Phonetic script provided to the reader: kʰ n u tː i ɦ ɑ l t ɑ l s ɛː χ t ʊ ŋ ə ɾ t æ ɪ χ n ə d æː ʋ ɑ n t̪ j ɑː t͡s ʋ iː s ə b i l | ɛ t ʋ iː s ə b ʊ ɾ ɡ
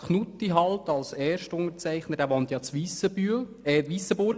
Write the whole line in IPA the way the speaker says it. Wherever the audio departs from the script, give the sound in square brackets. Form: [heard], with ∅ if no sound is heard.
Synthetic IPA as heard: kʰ n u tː i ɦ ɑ l t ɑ l s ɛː [ʃ] t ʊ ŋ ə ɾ [t͡s] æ ɪ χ n ə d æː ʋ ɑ n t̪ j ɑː t͡s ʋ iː s ə b [y] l | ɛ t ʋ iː s ə b ʊ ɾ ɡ